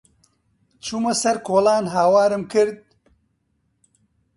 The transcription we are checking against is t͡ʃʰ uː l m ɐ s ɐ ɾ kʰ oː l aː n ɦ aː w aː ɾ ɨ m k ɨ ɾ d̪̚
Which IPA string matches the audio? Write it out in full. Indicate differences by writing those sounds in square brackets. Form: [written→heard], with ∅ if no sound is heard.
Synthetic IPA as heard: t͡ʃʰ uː [l→∅] m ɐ s ɐ ɾ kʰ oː l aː n ɦ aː w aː ɾ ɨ m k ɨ ɾ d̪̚